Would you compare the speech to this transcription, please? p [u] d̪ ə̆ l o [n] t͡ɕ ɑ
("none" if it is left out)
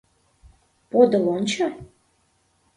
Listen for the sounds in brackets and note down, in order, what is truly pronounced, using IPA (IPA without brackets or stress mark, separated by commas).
o, n